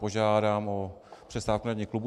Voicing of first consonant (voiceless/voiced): voiced